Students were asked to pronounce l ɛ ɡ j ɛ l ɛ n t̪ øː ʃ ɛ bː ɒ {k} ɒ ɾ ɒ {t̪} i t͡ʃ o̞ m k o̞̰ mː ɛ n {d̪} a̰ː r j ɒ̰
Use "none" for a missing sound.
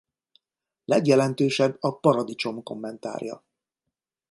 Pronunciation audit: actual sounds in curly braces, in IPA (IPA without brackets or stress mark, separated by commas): p, d̪, t̪